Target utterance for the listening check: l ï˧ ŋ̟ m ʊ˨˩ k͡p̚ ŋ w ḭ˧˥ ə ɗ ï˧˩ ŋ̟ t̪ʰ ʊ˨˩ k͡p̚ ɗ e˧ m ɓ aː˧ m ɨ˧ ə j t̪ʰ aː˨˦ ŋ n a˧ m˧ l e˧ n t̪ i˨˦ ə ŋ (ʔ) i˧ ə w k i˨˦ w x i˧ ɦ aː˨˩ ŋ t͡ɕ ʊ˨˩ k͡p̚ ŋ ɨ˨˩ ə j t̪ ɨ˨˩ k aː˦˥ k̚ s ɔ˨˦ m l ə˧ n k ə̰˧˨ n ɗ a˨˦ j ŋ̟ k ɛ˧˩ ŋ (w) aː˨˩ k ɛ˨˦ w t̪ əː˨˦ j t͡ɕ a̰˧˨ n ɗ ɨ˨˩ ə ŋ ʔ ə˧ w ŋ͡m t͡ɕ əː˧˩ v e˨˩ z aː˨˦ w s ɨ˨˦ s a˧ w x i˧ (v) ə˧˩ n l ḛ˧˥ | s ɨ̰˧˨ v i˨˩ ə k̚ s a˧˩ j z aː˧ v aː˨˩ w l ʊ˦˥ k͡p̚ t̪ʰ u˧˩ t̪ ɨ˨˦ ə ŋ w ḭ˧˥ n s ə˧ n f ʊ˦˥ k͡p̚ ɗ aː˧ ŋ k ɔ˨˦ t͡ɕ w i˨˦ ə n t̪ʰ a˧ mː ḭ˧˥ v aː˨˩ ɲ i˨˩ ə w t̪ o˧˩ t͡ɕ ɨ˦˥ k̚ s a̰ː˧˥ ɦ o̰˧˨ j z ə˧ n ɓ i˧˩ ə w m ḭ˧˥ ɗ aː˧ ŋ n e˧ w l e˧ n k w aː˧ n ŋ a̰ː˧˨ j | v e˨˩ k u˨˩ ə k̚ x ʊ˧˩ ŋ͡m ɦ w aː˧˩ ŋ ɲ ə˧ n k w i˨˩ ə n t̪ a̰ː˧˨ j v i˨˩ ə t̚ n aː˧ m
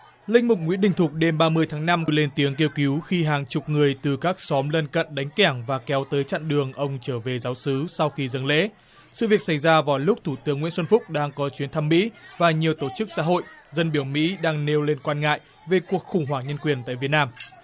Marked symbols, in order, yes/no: no, no, no

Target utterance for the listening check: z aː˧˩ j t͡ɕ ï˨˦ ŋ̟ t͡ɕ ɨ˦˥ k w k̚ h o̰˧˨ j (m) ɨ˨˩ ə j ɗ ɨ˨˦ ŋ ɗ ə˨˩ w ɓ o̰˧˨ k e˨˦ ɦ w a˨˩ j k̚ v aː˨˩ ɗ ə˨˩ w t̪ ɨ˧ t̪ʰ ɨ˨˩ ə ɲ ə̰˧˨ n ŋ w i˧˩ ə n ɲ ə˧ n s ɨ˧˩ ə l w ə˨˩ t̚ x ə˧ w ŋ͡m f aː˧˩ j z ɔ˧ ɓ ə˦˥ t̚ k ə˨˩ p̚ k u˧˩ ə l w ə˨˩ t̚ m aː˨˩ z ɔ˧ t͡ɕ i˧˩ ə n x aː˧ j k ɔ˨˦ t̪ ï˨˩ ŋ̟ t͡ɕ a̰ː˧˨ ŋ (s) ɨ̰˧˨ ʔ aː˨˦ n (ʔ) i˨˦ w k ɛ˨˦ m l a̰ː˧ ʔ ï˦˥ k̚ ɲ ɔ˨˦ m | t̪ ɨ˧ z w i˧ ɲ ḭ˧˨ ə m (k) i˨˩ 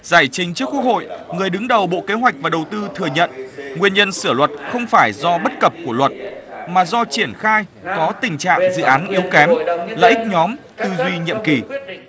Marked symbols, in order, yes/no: no, no, yes, yes

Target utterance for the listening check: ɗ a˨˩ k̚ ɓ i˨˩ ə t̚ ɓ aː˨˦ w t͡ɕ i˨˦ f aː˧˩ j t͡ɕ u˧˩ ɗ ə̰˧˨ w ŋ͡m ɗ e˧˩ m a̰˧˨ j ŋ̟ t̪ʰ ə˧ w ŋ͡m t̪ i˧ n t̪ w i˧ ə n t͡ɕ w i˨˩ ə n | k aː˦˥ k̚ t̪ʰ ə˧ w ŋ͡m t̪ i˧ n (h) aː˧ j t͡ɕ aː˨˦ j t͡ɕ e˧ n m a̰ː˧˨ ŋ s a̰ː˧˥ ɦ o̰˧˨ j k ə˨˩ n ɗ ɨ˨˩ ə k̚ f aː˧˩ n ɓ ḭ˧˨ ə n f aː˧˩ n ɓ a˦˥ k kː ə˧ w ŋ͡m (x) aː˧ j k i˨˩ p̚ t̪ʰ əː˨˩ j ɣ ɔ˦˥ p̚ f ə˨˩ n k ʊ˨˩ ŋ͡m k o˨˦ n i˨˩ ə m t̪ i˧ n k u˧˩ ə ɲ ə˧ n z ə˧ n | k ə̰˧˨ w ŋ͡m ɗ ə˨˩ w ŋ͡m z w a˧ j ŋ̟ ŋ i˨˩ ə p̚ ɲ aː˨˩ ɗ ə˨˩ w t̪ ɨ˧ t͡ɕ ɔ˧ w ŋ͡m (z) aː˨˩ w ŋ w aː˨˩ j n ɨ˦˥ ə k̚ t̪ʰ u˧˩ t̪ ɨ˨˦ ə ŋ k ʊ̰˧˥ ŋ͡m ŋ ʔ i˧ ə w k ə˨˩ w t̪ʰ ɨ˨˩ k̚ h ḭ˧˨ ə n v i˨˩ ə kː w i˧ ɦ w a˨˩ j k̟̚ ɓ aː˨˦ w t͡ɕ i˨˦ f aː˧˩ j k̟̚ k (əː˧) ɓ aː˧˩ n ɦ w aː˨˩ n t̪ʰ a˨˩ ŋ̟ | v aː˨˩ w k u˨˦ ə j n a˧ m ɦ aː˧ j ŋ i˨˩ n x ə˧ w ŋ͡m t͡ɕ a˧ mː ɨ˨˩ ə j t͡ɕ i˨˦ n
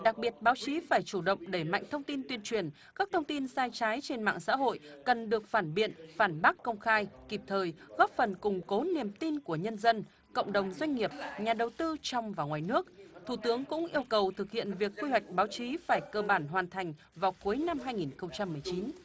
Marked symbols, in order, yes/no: no, yes, no, yes

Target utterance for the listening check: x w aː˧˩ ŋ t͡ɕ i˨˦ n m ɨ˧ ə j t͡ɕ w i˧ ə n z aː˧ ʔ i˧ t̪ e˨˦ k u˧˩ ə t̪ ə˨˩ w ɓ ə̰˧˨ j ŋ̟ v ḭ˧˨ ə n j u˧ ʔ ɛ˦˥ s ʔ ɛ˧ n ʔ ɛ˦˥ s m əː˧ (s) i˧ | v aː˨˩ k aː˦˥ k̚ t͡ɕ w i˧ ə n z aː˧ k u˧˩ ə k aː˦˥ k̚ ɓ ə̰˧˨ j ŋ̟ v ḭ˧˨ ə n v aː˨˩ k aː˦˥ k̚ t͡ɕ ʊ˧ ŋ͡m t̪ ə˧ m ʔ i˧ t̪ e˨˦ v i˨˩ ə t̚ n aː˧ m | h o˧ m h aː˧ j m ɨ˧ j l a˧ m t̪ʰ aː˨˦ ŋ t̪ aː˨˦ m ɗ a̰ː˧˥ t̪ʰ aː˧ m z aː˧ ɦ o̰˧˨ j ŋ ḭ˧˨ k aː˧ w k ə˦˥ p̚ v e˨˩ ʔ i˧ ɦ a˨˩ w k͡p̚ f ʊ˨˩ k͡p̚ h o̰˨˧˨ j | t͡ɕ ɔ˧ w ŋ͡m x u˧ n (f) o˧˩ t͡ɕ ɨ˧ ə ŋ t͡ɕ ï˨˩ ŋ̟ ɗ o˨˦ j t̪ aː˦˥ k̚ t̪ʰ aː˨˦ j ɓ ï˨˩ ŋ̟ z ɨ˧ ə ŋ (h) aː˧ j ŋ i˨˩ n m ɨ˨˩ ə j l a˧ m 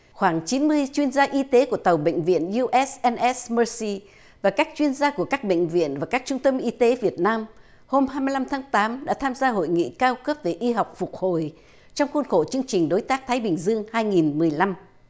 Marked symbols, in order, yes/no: yes, no, yes

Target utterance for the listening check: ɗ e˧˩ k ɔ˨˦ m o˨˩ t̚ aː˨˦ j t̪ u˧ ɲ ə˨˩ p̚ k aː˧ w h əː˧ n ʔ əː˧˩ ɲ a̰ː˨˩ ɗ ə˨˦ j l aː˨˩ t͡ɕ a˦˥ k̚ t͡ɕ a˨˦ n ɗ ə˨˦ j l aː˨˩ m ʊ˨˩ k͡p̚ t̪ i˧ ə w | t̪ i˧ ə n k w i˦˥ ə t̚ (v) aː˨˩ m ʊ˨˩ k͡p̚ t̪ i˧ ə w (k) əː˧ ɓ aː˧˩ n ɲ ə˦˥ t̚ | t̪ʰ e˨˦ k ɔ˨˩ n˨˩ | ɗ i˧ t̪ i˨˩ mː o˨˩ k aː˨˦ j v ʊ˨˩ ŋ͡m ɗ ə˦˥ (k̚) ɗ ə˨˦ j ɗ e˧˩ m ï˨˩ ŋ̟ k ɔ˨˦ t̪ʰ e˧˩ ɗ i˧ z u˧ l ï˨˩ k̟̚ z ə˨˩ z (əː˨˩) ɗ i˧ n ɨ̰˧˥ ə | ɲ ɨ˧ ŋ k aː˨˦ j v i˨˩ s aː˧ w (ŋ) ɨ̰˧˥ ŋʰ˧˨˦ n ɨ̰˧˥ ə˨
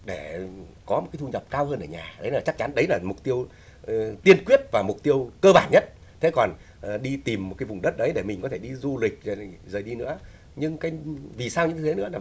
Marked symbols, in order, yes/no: yes, yes, no, yes, no

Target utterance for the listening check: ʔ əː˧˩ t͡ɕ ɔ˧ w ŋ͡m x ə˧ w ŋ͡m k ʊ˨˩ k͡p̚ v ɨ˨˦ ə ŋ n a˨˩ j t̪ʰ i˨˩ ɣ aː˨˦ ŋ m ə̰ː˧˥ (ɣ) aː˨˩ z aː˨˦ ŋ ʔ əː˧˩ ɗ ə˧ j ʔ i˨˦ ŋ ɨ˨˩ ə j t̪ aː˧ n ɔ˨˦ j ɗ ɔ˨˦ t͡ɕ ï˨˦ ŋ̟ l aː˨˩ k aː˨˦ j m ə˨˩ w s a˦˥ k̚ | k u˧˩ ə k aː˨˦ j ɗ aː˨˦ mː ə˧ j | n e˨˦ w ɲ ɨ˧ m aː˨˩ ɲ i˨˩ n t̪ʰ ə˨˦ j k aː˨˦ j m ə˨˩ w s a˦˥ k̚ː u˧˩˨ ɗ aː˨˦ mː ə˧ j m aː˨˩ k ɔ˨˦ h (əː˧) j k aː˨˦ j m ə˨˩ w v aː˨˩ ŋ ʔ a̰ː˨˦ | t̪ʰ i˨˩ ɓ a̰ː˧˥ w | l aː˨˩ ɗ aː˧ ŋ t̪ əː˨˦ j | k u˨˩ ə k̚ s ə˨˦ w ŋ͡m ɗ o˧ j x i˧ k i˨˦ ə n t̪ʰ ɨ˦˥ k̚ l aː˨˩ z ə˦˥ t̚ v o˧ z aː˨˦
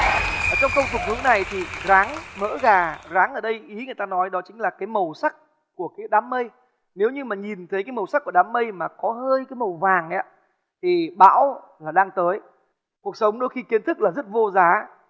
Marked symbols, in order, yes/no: yes, yes

